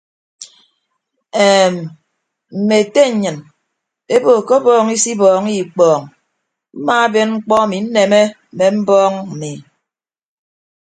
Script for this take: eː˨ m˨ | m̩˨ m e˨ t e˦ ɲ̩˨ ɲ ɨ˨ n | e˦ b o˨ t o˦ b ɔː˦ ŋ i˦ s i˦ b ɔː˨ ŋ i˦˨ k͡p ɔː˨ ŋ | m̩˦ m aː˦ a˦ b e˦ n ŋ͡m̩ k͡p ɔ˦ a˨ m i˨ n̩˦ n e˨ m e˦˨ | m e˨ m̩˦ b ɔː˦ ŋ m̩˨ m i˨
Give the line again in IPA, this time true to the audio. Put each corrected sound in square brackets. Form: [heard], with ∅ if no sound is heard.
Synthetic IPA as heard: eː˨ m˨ | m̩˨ m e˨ t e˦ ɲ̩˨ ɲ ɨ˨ n | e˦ b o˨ [k] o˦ b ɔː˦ ŋ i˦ s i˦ b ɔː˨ ŋ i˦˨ k͡p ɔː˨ ŋ | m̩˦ m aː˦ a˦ b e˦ n ŋ͡m̩ k͡p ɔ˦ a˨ m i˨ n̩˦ n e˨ m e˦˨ | m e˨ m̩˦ b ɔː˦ ŋ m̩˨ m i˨